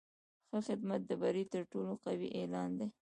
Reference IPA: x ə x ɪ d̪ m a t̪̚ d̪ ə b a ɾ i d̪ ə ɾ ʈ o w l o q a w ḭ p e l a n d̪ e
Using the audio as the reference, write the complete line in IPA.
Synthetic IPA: x ə x ɪ d̪ m a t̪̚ d̪ ə b a ɾ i t̪ ə ɾ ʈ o l o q a w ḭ ʔ e l ɑ n d̪ e